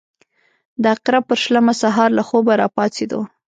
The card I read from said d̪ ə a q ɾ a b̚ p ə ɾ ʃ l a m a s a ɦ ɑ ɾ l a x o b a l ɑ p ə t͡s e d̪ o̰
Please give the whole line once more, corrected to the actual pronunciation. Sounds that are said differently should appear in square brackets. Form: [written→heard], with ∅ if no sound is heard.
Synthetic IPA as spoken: d̪ ə a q ɾ a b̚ p ə ɾ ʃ l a m a s a ɦ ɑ ɾ l a x o b a [l→ɾ] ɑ p [ə→ɑ] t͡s e d̪ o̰